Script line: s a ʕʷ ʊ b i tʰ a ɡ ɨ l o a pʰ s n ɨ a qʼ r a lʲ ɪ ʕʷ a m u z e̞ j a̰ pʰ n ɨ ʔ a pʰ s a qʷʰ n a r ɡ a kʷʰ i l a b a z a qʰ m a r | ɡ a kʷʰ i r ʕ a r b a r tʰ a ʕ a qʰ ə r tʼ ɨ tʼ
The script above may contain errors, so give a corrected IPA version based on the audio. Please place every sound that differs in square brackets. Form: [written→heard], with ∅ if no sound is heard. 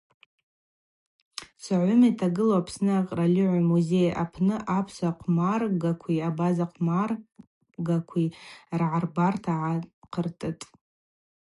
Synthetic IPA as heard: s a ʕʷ ʊ [b→m] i tʰ a ɡ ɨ l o a pʰ s n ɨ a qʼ r a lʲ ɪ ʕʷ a m u z e̞ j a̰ pʰ n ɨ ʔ a pʰ s a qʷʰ [n→m] a r ɡ a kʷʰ i [l→∅] a b a z a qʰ m a r | ɡ a kʷʰ i r ʕ a r b a r tʰ a ʕ a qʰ ə r tʼ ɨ tʼ